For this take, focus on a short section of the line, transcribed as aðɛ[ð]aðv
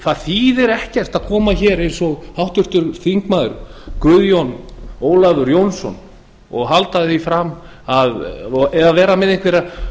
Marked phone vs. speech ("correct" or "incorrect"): correct